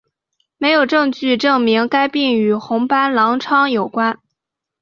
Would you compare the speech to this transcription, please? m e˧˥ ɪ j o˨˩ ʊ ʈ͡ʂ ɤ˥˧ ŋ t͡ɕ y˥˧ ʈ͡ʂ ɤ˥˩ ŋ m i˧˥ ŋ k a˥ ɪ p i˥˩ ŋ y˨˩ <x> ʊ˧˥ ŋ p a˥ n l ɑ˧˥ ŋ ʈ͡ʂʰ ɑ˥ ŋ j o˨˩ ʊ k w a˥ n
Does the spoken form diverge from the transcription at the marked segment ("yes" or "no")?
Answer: no